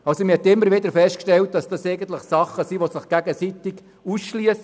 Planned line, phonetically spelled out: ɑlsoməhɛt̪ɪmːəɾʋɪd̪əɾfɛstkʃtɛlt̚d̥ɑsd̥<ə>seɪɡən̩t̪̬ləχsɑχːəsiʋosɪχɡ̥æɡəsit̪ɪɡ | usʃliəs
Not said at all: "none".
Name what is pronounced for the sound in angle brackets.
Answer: ɑ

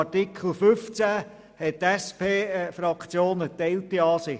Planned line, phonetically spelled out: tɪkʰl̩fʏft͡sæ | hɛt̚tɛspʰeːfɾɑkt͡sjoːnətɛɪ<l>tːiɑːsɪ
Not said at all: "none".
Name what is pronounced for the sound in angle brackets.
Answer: l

